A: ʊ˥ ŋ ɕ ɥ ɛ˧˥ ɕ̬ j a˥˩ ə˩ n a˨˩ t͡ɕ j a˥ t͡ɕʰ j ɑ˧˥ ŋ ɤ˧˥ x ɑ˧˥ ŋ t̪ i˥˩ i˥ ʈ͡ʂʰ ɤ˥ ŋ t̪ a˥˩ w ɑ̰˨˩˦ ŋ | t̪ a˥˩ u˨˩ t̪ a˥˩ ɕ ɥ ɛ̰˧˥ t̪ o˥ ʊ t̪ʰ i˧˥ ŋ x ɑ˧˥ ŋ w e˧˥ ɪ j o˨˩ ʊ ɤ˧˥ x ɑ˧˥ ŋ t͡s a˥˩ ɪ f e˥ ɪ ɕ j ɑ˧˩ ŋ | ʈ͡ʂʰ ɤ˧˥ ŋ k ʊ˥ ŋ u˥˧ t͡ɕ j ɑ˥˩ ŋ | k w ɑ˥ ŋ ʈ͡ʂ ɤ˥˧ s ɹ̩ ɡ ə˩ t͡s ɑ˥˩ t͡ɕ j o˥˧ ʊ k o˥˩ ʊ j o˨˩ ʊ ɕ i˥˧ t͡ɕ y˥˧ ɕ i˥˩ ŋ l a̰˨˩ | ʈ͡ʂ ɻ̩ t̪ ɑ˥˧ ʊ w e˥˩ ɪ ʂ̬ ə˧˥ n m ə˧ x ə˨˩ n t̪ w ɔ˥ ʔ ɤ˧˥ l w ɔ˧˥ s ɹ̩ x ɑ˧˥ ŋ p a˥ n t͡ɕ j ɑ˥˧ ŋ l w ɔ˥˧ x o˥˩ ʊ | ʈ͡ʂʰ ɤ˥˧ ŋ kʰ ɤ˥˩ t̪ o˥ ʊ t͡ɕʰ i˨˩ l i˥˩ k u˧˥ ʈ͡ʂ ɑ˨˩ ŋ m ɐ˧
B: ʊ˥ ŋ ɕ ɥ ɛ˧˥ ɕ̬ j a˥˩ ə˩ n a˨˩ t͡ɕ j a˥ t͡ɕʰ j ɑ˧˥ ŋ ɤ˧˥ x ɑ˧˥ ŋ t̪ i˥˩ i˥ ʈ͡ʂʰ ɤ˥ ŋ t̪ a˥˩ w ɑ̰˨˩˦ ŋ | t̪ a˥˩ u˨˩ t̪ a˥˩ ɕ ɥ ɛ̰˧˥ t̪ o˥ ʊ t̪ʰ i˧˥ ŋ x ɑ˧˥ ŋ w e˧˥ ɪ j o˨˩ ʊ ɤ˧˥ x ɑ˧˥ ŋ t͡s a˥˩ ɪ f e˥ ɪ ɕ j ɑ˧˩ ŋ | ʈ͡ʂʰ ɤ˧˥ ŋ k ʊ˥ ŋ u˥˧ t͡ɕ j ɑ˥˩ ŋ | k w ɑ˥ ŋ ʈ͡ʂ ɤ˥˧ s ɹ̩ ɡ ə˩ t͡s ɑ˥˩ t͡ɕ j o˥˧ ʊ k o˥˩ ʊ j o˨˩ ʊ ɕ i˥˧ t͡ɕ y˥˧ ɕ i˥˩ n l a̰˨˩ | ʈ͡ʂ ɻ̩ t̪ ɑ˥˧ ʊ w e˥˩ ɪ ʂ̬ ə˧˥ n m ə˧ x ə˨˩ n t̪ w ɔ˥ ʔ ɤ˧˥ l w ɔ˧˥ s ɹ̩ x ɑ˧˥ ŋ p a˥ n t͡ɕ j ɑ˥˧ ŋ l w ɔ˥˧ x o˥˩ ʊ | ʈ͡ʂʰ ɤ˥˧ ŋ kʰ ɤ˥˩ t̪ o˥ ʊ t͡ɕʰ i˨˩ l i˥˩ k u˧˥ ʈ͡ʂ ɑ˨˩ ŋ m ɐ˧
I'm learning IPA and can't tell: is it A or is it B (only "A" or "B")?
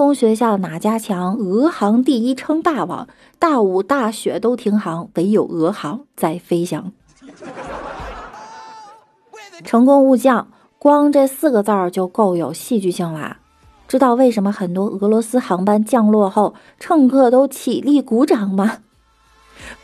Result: A